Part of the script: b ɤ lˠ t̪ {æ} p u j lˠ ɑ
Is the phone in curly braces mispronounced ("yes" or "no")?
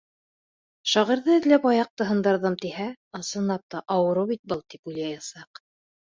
yes